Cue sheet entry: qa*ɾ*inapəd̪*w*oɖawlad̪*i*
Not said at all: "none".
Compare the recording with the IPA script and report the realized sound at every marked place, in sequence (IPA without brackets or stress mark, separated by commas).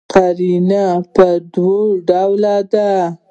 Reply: ɾ, w, a